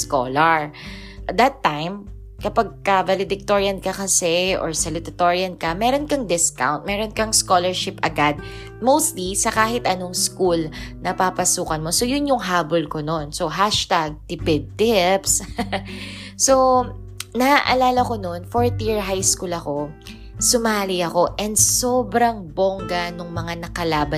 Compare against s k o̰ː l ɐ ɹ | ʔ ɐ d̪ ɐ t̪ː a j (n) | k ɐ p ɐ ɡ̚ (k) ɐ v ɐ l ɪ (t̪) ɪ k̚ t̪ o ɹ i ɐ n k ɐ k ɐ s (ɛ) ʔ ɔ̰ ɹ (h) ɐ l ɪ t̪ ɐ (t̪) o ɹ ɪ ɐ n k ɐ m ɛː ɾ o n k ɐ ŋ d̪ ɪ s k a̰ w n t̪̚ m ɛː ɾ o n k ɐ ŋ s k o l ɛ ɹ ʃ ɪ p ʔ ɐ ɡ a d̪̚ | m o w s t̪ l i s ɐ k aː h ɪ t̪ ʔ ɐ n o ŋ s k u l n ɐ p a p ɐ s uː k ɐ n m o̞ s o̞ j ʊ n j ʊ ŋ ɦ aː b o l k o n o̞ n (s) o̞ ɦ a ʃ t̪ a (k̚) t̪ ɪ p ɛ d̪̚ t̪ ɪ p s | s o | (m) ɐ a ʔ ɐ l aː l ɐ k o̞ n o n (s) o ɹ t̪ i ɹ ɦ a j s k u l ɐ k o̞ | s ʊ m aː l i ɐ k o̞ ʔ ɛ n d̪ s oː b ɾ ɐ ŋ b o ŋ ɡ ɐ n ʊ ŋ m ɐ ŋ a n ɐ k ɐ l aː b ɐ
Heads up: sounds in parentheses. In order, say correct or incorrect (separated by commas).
incorrect, correct, incorrect, correct, incorrect, correct, correct, incorrect, incorrect, incorrect